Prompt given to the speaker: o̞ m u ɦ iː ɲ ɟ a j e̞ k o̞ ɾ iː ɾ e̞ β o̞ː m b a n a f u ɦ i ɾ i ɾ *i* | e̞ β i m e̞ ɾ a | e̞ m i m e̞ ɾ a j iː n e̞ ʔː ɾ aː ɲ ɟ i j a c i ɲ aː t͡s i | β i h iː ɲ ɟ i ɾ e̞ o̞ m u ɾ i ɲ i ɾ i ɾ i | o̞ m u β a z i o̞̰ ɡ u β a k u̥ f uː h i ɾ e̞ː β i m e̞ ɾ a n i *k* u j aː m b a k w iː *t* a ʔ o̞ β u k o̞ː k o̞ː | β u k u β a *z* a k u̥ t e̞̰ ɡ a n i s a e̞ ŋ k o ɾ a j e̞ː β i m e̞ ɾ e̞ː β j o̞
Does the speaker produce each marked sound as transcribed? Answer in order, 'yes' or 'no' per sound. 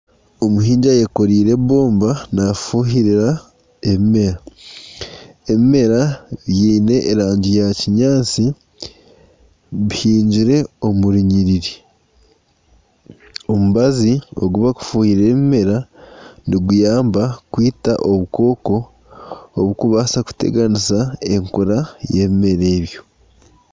no, no, yes, no

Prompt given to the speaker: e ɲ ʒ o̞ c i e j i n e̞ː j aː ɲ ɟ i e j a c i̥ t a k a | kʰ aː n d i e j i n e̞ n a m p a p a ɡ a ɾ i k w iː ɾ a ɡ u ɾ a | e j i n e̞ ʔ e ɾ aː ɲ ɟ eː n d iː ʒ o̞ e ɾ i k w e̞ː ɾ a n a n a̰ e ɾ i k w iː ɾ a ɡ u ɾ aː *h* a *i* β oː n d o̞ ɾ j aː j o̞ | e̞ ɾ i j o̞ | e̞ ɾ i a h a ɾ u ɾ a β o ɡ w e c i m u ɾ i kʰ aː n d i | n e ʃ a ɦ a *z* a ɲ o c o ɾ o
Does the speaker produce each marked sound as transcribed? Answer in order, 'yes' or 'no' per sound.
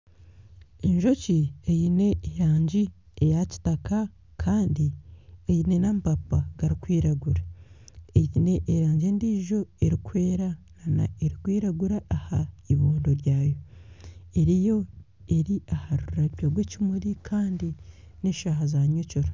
yes, yes, yes

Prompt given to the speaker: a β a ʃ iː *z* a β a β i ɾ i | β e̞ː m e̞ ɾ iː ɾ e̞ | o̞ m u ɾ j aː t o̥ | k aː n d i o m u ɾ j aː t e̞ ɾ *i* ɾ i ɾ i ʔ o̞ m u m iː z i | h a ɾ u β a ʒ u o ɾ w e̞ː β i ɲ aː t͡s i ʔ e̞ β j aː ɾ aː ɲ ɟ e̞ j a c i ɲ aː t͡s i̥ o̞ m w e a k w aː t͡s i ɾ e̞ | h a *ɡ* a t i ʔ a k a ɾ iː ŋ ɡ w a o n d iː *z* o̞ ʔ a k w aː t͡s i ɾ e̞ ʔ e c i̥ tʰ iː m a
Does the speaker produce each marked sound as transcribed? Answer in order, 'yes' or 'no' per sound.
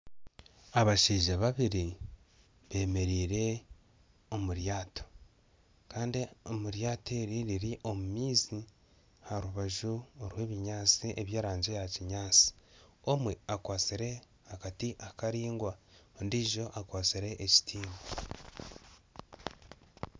no, yes, no, no

